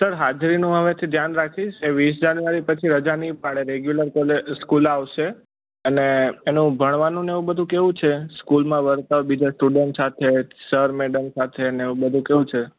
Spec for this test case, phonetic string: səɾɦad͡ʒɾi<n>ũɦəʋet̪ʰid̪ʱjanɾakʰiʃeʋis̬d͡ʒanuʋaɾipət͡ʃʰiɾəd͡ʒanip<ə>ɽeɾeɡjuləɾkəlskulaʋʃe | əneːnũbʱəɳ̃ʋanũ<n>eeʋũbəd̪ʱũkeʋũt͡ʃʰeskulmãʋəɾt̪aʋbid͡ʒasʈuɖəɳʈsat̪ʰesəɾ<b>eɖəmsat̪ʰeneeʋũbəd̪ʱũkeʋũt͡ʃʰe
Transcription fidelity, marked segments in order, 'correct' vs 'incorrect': correct, incorrect, correct, incorrect

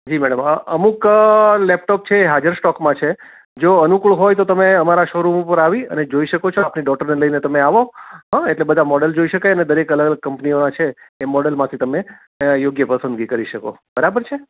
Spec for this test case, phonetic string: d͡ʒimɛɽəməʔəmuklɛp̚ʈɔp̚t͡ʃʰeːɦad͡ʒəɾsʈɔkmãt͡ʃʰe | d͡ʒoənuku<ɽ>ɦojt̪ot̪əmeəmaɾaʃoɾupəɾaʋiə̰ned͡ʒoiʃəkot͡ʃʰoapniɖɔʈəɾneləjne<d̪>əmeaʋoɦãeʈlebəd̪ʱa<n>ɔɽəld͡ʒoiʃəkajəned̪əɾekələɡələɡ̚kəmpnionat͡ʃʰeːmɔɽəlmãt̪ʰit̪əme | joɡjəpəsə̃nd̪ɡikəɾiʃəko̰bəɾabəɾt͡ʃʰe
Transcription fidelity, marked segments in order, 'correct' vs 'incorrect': incorrect, incorrect, incorrect

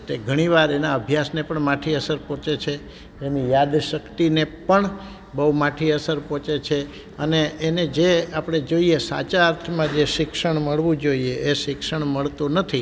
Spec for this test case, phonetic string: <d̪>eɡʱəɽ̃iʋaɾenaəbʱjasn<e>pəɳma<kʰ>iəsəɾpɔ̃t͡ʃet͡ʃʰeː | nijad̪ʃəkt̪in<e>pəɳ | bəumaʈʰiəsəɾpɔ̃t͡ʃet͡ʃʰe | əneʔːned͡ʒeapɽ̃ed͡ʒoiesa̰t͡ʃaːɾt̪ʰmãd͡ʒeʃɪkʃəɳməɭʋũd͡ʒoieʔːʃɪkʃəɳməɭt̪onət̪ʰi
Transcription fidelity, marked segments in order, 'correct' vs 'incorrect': incorrect, correct, incorrect, correct

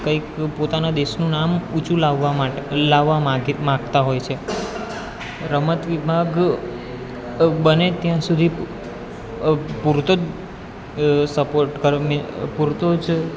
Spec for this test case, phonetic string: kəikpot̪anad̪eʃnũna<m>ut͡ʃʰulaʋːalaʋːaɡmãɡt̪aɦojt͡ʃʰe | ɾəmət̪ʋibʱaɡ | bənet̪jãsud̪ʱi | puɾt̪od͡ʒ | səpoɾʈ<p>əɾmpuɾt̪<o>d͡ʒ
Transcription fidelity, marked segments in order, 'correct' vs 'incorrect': correct, incorrect, correct

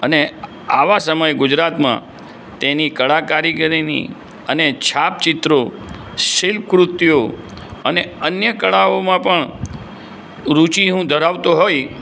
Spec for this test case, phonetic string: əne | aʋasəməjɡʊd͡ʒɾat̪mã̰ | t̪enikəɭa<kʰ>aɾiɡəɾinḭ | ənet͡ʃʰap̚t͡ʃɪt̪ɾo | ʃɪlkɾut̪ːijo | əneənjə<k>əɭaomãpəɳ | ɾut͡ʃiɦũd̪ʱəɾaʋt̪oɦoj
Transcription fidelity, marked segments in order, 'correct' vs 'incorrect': incorrect, correct

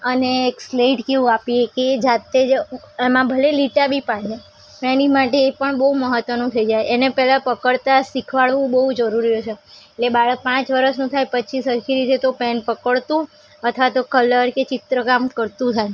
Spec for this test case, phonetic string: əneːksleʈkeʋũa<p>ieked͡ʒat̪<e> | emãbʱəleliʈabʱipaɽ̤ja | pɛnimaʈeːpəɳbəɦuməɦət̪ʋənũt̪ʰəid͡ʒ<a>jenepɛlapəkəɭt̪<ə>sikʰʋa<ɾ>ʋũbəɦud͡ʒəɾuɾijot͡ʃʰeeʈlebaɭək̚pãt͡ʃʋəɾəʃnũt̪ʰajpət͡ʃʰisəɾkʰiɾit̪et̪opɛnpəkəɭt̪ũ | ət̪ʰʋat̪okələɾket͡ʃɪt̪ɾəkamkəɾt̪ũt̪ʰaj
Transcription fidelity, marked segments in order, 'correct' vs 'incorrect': correct, correct, correct, incorrect, incorrect

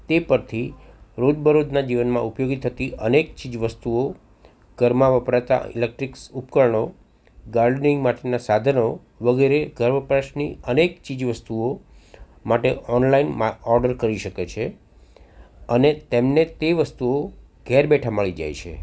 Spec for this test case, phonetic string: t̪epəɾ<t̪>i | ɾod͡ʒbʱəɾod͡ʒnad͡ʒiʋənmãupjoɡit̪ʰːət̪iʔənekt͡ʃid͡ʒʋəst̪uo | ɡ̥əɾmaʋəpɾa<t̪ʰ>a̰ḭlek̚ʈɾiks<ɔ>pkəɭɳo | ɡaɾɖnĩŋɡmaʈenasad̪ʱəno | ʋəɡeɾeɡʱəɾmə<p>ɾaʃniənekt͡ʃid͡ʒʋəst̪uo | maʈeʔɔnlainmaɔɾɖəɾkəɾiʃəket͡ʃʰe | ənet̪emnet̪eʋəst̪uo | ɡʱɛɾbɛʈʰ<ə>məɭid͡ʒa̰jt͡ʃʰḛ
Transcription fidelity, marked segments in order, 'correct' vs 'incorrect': incorrect, incorrect, incorrect, correct, incorrect

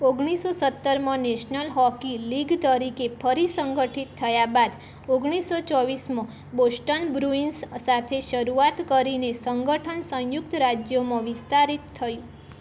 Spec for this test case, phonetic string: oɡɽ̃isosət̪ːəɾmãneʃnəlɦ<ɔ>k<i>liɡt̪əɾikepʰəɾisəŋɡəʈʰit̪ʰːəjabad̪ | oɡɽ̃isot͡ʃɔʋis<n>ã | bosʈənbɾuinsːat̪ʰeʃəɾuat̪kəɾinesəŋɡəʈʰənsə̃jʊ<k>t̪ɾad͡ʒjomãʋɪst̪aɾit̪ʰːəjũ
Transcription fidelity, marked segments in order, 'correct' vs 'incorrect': correct, correct, incorrect, correct

